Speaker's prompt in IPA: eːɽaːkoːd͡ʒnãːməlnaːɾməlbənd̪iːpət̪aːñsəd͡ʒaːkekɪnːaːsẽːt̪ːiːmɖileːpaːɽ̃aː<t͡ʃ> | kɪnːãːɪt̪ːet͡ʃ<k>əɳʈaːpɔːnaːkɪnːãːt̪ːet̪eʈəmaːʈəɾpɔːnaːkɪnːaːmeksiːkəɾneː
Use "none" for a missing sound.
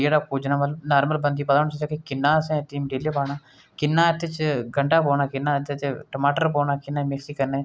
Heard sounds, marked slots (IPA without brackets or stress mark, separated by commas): none, ɡ